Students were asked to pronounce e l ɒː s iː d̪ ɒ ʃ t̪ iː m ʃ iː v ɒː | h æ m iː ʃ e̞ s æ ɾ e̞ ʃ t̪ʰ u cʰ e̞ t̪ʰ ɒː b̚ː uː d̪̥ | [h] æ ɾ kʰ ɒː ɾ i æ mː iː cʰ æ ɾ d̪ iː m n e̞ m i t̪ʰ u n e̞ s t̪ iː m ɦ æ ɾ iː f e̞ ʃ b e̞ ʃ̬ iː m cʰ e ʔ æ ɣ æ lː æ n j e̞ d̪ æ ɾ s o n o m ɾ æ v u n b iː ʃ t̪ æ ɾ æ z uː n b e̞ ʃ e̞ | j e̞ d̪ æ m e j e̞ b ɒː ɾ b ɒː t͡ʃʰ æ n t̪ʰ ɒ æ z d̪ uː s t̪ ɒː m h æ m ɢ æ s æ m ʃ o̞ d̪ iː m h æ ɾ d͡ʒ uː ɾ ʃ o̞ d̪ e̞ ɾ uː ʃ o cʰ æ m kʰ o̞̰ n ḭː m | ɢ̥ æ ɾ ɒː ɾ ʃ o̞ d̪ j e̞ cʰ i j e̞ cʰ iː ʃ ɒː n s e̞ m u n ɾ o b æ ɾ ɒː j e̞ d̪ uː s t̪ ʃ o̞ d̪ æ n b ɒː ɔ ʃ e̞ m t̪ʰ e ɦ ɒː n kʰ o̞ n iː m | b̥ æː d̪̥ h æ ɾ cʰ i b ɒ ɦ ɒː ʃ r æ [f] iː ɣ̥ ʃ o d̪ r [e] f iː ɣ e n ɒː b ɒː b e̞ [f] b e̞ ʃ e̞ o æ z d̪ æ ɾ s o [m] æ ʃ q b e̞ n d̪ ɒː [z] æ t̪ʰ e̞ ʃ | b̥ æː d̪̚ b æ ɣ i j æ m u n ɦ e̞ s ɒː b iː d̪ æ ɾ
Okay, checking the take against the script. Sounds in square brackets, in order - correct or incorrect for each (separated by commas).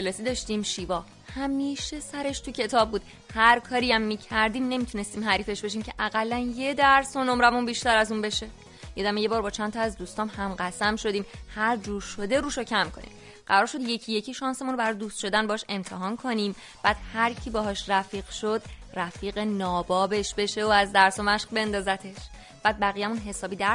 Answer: correct, correct, incorrect, incorrect, correct, correct